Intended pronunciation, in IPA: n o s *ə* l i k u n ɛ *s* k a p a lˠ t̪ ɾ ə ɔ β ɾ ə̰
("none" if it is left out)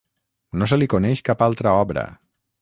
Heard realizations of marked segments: ə, ʃ

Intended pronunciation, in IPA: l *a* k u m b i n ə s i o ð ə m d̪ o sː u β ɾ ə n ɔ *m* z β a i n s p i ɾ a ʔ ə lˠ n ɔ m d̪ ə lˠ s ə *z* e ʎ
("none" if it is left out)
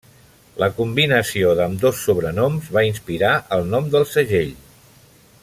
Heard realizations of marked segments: ə, m, ʒ

